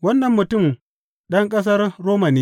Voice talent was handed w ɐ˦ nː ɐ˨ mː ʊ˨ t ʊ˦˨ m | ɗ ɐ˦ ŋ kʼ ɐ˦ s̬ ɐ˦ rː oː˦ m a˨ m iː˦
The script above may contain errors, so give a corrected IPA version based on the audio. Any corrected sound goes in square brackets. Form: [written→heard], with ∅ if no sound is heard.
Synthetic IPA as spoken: w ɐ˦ nː ɐ˨ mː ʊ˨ t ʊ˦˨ m | ɗ ɐ˦ ŋ kʼ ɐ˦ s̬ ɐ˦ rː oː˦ m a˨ [m→n] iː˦